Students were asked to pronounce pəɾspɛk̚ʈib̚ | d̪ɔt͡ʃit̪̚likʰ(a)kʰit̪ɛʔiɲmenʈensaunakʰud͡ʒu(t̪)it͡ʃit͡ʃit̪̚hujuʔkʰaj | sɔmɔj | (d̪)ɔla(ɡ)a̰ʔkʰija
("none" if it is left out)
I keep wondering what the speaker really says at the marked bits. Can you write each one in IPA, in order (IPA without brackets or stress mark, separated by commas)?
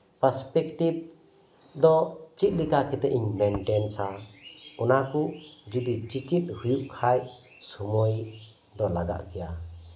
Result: a, d̪, d̪, ɡ